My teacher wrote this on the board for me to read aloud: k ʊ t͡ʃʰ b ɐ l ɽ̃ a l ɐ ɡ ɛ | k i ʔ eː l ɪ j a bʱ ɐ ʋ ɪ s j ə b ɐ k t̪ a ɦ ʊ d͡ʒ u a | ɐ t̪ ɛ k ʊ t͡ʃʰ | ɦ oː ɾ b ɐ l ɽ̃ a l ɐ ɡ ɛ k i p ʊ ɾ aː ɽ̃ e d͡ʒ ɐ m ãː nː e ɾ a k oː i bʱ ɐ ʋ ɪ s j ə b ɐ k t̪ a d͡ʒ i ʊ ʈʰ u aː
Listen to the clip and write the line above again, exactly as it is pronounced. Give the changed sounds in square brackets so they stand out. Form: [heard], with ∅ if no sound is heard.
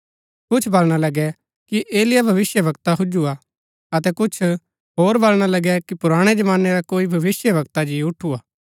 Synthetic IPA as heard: k ʊ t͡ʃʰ b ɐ l ɽ̃ a l ɐ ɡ ɛ | k i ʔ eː l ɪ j a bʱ ɐ ʋ ɪ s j ə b ɐ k t̪ a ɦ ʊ d͡ʒ u a | ɐ t̪ ɛ k ʊ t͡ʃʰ | ɦ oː ɾ b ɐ l ɽ̃ a l ɐ ɡ ɛ k i p ʊ ɾ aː ɽ̃ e d͡ʒ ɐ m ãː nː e ɾ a k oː i bʱ ɐ ʋ ɪ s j ə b ɐ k t̪ a d͡ʒ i ʊ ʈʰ u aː